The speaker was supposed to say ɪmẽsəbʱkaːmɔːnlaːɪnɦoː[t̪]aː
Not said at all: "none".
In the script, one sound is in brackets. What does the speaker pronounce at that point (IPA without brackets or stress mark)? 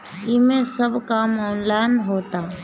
t̪